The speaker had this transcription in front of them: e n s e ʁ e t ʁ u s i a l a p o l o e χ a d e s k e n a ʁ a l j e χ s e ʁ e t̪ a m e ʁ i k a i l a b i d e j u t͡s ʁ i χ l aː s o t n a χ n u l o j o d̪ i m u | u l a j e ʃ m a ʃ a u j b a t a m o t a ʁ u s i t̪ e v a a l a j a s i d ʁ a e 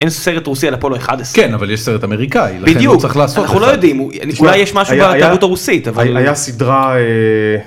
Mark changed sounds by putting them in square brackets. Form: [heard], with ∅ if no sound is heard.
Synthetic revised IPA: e n s e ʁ e t ʁ u s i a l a p o l o e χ a d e s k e n a [v] a l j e [ʃ] s e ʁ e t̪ a m e ʁ i k a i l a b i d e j u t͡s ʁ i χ l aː s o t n a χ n u l o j o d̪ i m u | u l a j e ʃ m a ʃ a u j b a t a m [u] t a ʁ u s i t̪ [a] v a a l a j a s i d ʁ a e

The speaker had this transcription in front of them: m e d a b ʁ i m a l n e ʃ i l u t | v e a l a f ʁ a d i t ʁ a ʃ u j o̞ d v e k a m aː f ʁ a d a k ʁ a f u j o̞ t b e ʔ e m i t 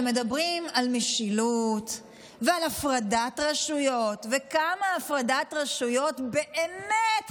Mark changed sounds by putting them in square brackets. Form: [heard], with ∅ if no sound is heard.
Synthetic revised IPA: m e d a b ʁ i m a l [m] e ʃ i l u t | v e a l a f ʁ a d [a] t ʁ a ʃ u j o̞ [t] v e k a m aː f ʁ a d a [t] ʁ a [ʃ] u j o̞ t b e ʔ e m [e] t

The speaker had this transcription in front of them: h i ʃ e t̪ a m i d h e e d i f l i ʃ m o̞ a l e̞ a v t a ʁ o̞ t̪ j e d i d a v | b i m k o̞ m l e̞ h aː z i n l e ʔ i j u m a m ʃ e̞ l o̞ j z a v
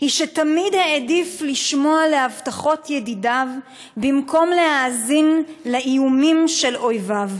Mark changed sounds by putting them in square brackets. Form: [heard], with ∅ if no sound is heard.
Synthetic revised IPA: h i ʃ e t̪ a m i d h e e d i f l i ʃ m o̞ a l e̞ a v t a [χ] o̞ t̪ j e d i d a v | b i m k o̞ m l e̞ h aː z i n l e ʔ i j u m [i] m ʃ e̞ l o̞ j [v] a v

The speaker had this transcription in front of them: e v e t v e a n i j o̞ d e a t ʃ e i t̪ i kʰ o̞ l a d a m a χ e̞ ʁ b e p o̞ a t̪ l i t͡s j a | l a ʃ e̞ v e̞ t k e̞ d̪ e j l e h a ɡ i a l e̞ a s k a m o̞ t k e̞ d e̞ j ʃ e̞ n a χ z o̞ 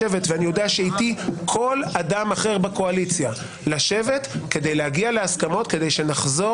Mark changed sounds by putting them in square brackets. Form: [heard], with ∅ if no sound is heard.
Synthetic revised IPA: e v e t v e a n i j o̞ d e a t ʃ e i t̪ i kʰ o̞ l a d a m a χ e̞ ʁ b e [k] o̞ a [∅] l i t͡s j a | l a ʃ e̞ v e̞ t k e̞ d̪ e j l e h a ɡ i a l e̞ a s k a m o̞ t k e̞ d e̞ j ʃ e̞ n a χ z o̞

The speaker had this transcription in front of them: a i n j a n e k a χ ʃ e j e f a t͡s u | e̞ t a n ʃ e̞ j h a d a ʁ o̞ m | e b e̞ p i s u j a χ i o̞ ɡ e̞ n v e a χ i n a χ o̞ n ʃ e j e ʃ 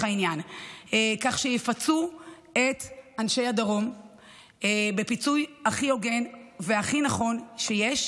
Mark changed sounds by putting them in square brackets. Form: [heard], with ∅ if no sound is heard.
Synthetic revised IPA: a i n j a n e k a χ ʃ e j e f a t͡s u | e̞ t a n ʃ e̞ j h a d a ʁ o̞ m | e b e̞ p i [t͡s] u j a χ i o̞ ɡ e̞ n v e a χ i n a χ o̞ n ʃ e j e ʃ

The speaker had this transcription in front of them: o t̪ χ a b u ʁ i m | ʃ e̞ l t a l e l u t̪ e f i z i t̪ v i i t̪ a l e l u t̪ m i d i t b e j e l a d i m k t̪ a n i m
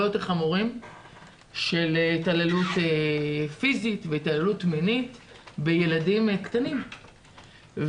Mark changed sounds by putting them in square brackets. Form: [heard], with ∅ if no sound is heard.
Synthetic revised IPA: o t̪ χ a [m] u ʁ i m | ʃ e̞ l t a l e l u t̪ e f i z i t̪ v [e] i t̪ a l e l u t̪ m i [n] i t b e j e l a d i m k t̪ a n i m

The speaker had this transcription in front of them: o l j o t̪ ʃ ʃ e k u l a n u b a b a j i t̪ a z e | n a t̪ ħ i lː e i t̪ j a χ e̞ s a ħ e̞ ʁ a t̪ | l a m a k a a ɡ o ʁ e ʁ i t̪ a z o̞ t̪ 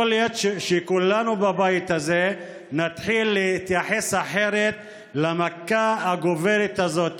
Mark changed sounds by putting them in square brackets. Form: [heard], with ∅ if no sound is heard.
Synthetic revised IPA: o l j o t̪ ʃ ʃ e k u l a n u b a b a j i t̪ a z e | n a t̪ ħ i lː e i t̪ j a [ħ] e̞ s a ħ e̞ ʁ [e] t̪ | l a m a k a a ɡ o [v] e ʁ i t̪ a z o̞ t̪

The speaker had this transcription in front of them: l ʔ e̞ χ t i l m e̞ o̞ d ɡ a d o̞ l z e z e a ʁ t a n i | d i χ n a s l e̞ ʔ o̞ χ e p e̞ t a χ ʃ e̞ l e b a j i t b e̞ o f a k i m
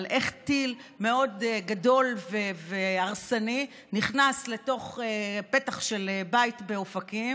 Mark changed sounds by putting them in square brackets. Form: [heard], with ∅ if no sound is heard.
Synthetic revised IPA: l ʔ e̞ χ t i l m e̞ o̞ d ɡ a d o̞ l [v] e [v] e a ʁ [s] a n i | [n] i χ n a s l e̞ [t] o̞ χ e p e̞ t a χ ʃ e̞ l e b a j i t b e̞ o f a k i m

